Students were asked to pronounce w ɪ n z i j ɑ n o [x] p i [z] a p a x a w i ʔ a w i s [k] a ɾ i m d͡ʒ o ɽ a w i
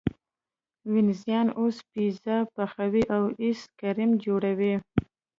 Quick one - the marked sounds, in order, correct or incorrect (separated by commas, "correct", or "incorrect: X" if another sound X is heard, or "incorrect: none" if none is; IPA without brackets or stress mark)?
incorrect: s, correct, correct